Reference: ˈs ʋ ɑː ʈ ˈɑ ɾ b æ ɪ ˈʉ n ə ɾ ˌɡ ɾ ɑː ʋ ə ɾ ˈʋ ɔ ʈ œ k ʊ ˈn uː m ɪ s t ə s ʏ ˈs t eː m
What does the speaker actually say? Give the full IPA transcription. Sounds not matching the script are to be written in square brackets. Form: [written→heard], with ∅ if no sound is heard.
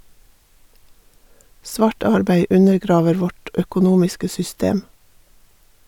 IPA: ˈs ʋ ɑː ʈ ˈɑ ɾ b æ ɪ ˈʉ n ə ɾ ˌɡ ɾ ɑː ʋ ə ɾ ˈʋ ɔ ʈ œ k ʊ ˈn uː m ɪ s [t→k] ə s ʏ ˈs t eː m